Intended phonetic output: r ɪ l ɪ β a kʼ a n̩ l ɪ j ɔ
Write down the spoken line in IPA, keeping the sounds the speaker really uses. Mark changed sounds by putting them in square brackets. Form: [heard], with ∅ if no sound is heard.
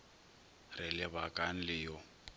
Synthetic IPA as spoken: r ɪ l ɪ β a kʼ a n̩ l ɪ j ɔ